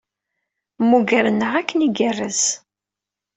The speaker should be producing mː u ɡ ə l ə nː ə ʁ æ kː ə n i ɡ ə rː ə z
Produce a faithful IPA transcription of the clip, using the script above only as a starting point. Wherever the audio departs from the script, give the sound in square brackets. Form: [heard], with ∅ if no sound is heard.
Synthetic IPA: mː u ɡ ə [ɾ] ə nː ə ʁ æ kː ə n i ɡ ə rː ə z